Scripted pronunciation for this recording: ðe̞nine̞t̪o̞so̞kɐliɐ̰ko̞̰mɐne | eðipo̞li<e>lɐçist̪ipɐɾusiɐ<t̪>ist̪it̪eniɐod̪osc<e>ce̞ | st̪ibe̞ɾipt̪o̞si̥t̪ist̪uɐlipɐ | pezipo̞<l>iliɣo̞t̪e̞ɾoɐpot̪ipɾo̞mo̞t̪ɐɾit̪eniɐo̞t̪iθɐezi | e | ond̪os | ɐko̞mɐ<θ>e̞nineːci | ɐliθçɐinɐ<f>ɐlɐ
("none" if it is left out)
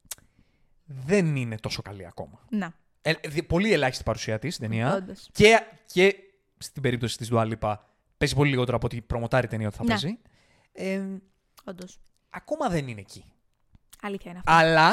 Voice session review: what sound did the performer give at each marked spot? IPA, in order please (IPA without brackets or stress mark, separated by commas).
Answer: e, t̪, e, l, ð, f